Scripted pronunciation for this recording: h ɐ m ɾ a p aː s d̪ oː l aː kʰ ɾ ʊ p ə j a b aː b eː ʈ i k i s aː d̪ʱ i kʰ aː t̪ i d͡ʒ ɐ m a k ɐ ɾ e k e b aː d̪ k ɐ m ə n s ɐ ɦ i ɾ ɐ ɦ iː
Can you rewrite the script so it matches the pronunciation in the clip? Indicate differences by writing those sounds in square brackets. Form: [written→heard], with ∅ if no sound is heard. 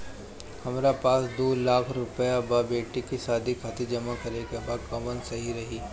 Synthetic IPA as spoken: h ɐ m ɾ a p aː s d̪ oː l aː kʰ ɾ ʊ p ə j a b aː b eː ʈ i k i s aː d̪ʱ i kʰ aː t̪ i d͡ʒ ɐ m a k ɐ ɾ e k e b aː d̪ k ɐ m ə n s ɐ ɦ i ɾ ɐ ɦ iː